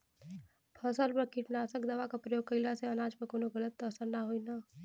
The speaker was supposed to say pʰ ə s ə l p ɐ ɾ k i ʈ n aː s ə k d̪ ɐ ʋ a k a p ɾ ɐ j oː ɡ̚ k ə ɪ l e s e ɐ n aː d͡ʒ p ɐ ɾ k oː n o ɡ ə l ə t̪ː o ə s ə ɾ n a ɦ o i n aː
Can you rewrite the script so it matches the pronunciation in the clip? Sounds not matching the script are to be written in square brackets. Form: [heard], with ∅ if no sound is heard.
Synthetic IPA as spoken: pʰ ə s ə l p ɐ ɾ k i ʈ n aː s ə k d̪ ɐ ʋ a k a p ɾ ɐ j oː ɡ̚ k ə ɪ l [a] s e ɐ n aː d͡ʒ p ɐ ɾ k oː n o ɡ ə l ə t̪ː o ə s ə ɾ n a ɦ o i n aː